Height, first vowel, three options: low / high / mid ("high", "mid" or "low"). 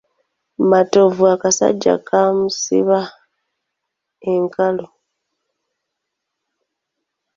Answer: low